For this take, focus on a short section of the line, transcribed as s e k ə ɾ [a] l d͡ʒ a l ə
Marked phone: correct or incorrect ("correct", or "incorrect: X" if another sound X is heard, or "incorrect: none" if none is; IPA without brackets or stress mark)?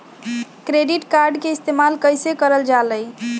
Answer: incorrect: ə